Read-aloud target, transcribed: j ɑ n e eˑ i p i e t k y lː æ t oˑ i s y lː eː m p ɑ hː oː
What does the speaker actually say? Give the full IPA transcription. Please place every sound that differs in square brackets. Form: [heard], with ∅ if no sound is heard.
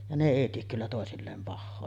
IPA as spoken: j ɑ n e eˑ i [t] i e [k] k y lː æ t oˑ [e] s [i] lː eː m p ɑ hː oː